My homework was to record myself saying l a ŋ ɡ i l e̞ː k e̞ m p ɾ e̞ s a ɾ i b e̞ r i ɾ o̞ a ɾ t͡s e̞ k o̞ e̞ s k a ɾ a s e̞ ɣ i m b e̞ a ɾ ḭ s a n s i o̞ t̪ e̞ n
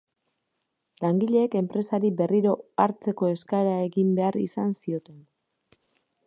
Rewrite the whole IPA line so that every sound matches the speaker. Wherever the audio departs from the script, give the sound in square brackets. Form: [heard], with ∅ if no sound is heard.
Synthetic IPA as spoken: l a ŋ ɡ i [ʎ] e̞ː k e̞ m p ɾ e̞ s a ɾ i b e̞ r i ɾ o̞ a ɾ t͡s e̞ k o̞ e̞ s k a ɾ a [∅] e̞ ɣ i m b e̞ a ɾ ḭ s a n s i o̞ t̪ e̞ n